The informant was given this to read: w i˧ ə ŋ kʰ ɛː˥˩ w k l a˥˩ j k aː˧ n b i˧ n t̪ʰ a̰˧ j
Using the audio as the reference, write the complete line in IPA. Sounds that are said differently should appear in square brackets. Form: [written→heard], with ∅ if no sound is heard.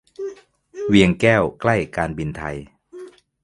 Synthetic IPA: w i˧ ə ŋ [kʰ→k] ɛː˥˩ w k l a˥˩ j k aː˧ n b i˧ n t̪ʰ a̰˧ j